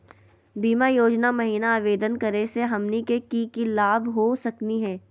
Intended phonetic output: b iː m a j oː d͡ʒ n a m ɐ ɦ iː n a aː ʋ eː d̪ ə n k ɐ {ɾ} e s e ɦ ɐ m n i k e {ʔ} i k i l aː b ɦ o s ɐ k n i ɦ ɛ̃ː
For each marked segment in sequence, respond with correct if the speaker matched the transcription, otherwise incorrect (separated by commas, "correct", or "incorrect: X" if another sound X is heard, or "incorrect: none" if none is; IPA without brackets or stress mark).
correct, incorrect: k